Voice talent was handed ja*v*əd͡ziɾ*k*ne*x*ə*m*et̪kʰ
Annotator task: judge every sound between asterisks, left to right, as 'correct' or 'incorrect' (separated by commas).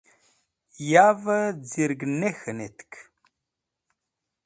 correct, incorrect, correct, incorrect